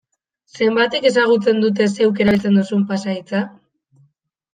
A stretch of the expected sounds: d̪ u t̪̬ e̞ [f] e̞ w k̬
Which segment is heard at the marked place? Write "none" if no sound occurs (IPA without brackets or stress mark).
s